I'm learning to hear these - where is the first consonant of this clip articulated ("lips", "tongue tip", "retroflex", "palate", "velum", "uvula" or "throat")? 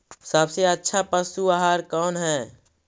tongue tip